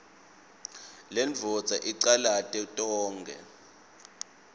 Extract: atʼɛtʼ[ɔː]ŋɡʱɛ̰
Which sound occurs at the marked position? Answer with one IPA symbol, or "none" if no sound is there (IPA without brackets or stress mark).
ɔː